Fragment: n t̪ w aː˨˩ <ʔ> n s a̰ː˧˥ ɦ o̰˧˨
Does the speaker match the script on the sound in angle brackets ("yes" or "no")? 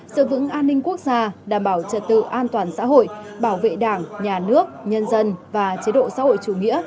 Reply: no